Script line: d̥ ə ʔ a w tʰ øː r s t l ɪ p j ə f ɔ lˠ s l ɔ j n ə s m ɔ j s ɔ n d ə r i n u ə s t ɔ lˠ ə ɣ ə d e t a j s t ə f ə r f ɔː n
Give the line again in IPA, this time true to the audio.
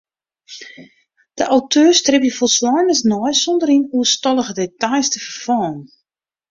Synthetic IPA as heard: d̥ ə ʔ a w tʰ øː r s t r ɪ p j ə f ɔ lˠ s l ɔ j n ə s n ɔ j s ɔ n d ə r i n u ə s t ɔ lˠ ə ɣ ə d e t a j s t ə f ə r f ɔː n